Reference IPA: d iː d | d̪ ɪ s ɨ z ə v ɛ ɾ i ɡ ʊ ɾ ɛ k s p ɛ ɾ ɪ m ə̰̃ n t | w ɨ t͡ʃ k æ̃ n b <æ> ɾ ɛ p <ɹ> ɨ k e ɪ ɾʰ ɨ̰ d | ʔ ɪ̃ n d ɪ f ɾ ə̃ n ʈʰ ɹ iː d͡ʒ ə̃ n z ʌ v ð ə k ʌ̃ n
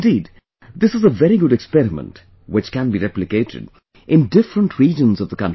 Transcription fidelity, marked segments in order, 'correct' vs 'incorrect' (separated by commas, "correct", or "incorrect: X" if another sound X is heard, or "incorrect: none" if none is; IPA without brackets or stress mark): incorrect: i, incorrect: l